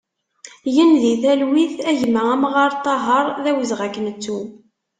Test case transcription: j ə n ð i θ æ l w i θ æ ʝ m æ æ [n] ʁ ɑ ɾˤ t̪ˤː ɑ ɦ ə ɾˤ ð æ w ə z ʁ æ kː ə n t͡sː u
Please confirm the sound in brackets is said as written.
no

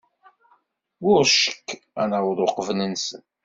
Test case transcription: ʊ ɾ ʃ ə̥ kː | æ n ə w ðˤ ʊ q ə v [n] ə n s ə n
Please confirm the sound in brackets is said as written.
yes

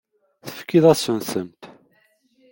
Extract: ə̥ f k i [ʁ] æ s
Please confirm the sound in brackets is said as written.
no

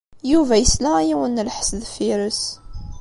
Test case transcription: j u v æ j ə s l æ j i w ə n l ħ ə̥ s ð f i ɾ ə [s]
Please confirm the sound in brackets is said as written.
yes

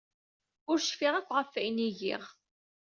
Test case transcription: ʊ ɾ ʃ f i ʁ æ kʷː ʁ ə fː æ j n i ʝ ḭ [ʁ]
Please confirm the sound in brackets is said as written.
yes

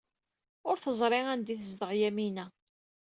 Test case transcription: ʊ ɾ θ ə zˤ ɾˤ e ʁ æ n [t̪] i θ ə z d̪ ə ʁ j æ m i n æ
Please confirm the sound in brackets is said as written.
no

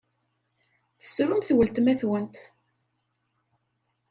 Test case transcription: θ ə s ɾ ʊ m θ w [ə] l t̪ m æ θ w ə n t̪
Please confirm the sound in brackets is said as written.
yes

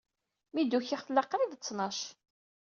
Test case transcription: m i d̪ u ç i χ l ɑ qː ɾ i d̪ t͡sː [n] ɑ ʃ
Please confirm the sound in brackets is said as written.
yes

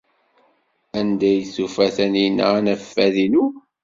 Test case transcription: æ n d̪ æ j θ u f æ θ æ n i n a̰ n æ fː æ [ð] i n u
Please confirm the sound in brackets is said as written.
yes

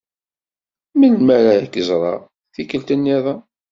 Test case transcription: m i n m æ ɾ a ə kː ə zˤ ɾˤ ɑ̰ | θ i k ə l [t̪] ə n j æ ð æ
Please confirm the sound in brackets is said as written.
yes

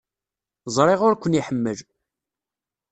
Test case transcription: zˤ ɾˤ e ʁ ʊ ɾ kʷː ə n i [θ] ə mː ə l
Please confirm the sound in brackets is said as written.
no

